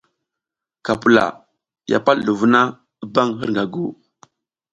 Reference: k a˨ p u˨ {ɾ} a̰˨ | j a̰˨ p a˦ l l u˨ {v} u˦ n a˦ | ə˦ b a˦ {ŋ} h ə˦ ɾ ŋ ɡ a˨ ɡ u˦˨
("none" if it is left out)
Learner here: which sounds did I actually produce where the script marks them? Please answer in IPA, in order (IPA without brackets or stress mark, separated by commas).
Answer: l, v, ŋ